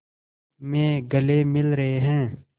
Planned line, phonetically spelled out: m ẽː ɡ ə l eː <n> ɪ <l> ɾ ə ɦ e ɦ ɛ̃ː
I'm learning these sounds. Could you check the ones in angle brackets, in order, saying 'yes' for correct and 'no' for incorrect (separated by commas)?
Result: no, yes